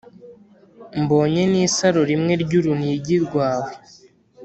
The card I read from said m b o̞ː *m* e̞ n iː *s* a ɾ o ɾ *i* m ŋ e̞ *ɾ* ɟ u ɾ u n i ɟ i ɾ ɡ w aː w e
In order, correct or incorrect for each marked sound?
incorrect: ɲ, correct, correct, correct

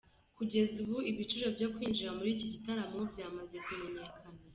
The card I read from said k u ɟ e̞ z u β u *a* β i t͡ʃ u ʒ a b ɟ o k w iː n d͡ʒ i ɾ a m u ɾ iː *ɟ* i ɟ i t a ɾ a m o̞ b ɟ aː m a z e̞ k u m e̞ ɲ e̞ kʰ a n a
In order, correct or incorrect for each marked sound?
incorrect: i, incorrect: c

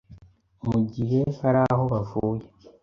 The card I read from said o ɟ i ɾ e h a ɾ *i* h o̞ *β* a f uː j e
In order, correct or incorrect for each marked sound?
incorrect: a, correct

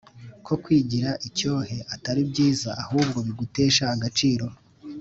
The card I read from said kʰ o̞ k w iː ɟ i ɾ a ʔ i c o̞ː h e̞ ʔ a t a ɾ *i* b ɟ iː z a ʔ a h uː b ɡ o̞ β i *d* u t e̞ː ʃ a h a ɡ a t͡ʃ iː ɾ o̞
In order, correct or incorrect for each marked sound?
correct, incorrect: ɡ

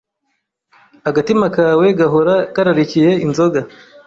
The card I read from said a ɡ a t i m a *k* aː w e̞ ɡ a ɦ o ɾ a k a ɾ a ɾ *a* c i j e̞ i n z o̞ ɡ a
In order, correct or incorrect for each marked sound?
correct, incorrect: i

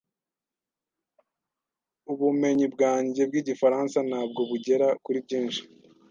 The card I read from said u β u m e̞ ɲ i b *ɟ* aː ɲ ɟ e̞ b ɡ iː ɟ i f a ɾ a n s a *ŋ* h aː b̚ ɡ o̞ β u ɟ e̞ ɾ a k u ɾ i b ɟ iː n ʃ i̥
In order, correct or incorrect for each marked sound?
incorrect: ɡ, incorrect: n

